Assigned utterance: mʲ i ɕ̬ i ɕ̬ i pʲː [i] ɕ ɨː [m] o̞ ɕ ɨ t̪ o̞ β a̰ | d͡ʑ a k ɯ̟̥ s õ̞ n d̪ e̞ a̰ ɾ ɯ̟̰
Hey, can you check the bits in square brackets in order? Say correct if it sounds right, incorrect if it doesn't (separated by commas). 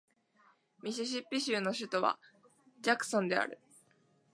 correct, incorrect